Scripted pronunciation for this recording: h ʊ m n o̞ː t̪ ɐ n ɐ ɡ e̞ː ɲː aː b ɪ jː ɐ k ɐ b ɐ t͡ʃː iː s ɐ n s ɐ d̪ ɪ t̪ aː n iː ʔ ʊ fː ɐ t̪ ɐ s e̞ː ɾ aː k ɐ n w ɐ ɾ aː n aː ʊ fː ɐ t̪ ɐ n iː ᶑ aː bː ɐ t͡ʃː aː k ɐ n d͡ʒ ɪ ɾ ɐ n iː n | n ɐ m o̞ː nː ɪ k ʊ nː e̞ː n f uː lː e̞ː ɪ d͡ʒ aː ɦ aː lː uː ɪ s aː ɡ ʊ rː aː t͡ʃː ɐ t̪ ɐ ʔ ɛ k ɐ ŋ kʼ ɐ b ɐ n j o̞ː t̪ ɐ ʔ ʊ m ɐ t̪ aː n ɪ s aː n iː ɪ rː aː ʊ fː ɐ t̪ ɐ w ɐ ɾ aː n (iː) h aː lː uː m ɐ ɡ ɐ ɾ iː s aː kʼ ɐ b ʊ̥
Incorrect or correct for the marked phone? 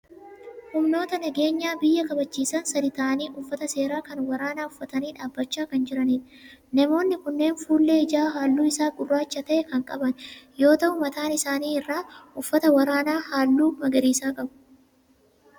incorrect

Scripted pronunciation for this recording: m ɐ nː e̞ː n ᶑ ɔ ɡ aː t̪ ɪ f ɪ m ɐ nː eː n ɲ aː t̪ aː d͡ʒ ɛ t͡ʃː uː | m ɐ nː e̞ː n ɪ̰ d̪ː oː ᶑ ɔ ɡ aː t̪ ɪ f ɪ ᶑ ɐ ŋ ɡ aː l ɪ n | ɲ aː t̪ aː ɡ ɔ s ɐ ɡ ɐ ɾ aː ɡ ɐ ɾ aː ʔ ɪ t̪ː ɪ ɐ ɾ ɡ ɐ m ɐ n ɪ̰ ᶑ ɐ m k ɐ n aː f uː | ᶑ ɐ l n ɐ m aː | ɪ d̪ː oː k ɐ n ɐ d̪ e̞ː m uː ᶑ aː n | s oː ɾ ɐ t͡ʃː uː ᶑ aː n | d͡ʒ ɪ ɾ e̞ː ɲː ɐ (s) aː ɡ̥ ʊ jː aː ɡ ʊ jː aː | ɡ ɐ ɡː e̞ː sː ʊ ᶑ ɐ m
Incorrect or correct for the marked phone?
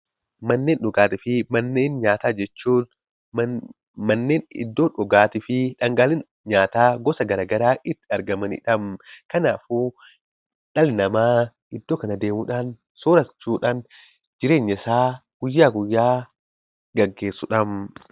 correct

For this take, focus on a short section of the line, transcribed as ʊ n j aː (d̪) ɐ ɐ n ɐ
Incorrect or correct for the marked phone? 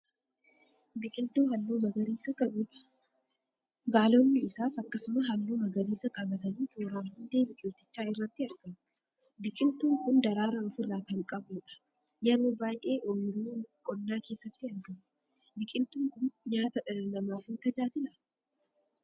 incorrect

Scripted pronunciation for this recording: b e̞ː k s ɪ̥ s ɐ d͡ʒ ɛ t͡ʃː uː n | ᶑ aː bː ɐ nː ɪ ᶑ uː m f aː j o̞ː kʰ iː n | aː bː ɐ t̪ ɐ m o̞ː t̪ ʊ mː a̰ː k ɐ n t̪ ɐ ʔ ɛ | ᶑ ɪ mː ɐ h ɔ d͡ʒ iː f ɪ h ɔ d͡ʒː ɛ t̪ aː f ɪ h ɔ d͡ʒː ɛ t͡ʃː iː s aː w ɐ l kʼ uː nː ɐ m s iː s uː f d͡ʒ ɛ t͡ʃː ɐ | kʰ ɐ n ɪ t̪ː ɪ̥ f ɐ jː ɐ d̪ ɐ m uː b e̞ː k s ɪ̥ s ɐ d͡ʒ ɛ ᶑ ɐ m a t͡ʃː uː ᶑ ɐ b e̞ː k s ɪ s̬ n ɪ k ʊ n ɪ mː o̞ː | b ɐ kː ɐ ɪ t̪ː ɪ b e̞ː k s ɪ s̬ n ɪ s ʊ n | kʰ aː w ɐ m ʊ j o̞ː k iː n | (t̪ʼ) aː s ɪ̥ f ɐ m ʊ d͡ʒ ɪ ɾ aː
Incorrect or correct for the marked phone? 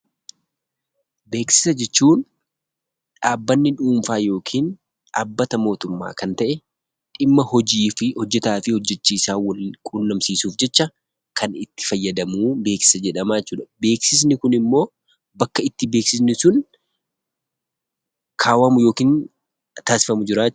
incorrect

